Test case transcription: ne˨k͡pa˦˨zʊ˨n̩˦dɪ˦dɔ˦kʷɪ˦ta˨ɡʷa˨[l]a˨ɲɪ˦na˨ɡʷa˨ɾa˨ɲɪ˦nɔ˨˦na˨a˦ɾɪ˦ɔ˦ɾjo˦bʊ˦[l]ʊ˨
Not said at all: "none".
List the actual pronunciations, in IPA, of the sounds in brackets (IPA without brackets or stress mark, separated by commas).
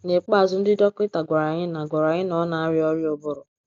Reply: ɾ, ɾ